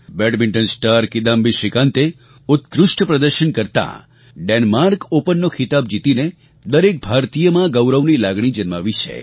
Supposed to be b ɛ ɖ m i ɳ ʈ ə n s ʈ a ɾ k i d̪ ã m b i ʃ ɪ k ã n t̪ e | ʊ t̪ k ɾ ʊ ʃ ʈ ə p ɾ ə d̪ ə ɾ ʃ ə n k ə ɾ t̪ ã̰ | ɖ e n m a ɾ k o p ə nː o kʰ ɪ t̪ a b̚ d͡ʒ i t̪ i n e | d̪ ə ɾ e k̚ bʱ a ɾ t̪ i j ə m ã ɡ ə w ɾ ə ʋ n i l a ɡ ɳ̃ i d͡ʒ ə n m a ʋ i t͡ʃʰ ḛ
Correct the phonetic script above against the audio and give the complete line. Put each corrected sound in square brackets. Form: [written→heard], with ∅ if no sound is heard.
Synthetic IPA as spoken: b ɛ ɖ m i ɳ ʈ ə n s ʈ a ɾ k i d̪ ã m b i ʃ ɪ k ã n t̪ e | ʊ t̪ k ɾ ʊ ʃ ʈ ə p ɾ ə d̪ ə ɾ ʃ ə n k ə ɾ t̪ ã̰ | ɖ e n m a ɾ k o p ə nː o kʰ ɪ t̪ a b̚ d͡ʒ i t̪ i n e | d̪ ə ɾ e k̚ bʱ a ɾ t̪ i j ə m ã ɡ ə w ɾ ə ʋ n i l a ɡ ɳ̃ i d͡ʒ ə n m a ʋ i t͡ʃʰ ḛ